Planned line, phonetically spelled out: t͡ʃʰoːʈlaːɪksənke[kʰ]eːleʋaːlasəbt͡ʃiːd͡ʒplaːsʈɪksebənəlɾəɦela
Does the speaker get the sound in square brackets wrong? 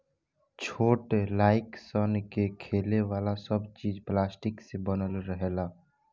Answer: no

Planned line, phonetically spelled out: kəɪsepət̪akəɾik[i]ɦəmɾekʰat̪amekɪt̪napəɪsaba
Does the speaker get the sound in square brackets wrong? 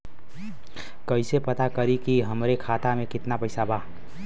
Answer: no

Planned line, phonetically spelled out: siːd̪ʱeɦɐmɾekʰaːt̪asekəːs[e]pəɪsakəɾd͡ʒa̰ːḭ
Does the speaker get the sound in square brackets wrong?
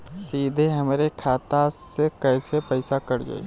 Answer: no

